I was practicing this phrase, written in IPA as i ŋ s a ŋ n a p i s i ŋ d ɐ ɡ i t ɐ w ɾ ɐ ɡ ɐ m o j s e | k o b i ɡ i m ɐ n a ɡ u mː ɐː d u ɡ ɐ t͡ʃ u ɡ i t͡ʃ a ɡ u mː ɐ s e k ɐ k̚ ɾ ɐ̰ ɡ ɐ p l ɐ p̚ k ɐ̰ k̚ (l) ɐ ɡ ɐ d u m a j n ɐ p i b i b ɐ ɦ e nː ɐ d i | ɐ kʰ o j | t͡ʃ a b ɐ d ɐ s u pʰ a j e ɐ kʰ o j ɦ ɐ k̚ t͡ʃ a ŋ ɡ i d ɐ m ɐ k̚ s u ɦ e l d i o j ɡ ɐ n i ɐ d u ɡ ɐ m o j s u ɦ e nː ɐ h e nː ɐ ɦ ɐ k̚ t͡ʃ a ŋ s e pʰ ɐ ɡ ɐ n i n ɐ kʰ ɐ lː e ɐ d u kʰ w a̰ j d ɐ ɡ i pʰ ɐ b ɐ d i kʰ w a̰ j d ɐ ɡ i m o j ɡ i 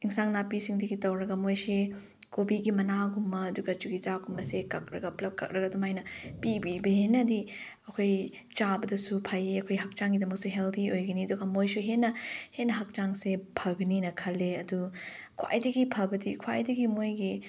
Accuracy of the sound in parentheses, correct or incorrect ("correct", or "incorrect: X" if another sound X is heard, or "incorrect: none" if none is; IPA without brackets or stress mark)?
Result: incorrect: ɾ